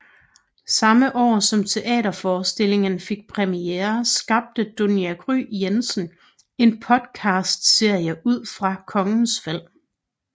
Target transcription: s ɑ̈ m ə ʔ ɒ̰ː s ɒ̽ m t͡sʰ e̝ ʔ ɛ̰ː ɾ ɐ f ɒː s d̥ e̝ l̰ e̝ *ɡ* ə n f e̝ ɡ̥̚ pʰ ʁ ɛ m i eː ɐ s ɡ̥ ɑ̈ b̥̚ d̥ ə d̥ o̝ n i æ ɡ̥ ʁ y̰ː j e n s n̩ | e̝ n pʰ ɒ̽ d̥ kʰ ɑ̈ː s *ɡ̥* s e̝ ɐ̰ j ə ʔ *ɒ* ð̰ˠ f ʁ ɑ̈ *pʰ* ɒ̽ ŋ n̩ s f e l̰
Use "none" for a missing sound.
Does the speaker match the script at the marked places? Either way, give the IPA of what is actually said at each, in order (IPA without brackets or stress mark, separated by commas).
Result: ŋ, d̥, u, kʰ